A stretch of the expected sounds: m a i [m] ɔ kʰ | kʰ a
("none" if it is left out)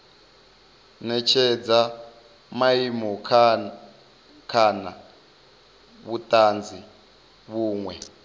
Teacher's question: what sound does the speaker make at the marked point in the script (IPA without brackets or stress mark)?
m